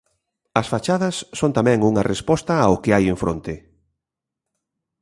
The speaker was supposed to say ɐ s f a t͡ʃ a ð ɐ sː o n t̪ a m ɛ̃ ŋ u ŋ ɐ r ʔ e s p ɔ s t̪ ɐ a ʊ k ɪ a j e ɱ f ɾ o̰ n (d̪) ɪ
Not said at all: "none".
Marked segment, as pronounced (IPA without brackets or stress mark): t̪